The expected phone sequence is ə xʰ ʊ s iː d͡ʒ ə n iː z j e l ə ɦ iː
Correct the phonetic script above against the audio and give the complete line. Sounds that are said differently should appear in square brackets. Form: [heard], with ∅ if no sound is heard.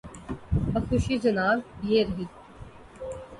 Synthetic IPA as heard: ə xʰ ʊ [ʃ] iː d͡ʒ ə n [aː] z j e [ɾ] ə ɦ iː